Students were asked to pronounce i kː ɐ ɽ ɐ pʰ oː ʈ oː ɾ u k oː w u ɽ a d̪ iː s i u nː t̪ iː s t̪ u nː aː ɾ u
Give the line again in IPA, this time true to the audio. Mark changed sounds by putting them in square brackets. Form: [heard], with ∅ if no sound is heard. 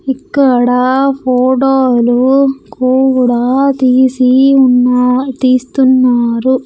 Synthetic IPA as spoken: i kː ɐ ɽ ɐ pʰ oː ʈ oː [l] u k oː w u ɽ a [t̪] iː s i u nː t̪ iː s t̪ u nː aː ɾ u

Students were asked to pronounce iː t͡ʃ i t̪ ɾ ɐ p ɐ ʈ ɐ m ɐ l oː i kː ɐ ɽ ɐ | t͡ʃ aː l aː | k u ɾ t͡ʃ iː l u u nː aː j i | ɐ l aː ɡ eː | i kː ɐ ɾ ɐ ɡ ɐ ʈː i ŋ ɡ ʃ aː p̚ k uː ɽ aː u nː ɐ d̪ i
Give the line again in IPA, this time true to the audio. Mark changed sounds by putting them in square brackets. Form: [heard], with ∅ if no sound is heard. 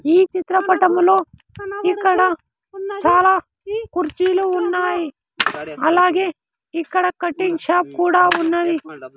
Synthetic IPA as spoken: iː t͡ʃ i t̪ ɾ ɐ p ɐ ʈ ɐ m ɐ l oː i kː ɐ ɽ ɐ | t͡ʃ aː l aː | k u ɾ t͡ʃ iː l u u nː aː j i | ɐ l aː ɡ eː | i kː ɐ [ɽ] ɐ [k] ɐ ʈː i ŋ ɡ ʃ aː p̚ k uː ɽ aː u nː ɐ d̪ i

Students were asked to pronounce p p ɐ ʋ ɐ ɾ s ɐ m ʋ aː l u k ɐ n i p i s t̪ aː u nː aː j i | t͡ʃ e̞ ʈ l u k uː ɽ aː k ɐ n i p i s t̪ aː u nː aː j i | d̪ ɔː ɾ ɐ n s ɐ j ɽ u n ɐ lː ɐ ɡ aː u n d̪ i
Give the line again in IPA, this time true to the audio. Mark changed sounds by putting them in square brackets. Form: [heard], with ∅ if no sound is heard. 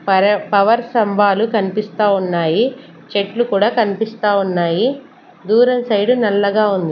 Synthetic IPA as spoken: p p ɐ ʋ ɐ ɾ s ɐ m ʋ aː l u k ɐ n i p i s t̪ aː u nː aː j i | t͡ʃ e̞ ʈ l u k uː ɽ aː k ɐ n i p i s t̪ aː u nː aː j i | d̪ [uː] ɾ ɐ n s ɐ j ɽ u n ɐ lː ɐ ɡ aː u n d̪ i

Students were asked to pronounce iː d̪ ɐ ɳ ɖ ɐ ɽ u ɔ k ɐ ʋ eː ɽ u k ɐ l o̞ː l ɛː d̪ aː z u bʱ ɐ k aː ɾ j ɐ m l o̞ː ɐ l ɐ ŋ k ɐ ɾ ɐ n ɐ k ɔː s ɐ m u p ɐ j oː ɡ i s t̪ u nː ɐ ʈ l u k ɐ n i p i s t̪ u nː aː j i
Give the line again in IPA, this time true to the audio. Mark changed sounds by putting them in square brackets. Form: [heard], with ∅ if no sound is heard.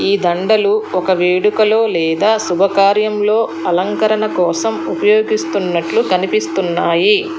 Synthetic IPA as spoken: iː d̪ ɐ ɳ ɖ ɐ [l] u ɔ k ɐ ʋ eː ɽ u k ɐ l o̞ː l ɛː d̪ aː [s] u bʱ ɐ k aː ɾ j ɐ m l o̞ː ɐ l ɐ ŋ k ɐ ɾ ɐ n ɐ k ɔː s ɐ m u p ɐ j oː ɡ i s t̪ u nː ɐ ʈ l u k ɐ n i p i s t̪ u nː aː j i

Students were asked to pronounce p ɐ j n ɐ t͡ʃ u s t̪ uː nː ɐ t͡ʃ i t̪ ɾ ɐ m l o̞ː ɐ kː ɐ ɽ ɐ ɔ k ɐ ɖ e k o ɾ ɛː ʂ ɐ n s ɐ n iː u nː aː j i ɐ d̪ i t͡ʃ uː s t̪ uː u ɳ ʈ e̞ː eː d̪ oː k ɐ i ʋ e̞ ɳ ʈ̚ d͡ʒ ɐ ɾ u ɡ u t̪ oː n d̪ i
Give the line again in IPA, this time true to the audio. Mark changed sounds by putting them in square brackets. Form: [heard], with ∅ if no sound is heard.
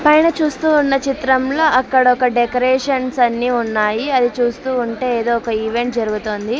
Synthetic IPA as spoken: p ɐ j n ɐ t͡ʃ [uː] s t̪ uː nː ɐ t͡ʃ i t̪ ɾ ɐ m l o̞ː ɐ kː ɐ ɽ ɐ ɔ k ɐ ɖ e k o ɾ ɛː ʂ ɐ n s ɐ [nː] iː u nː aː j i ɐ d̪ i t͡ʃ uː s t̪ uː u ɳ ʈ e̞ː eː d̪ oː k ɐ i ʋ e̞ ɳ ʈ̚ d͡ʒ ɐ ɾ u ɡ u t̪ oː n d̪ i

